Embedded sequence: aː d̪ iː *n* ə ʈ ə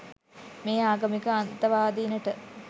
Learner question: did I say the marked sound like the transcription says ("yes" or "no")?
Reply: yes